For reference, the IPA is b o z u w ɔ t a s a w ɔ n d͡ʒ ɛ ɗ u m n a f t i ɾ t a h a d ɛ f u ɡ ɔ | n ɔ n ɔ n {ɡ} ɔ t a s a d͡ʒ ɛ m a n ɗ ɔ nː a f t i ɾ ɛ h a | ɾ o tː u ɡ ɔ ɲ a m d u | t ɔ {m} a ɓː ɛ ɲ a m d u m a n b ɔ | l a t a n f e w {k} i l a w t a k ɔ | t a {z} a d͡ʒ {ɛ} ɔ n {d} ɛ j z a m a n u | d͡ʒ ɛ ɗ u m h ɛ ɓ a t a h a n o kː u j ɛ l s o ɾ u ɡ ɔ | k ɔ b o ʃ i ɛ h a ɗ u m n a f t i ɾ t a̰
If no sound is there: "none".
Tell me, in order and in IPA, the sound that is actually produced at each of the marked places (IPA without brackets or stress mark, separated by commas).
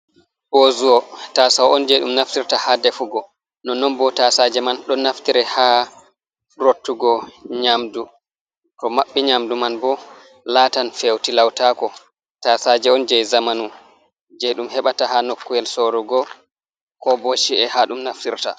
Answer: b, m, t, s, ɛ, d͡ʒ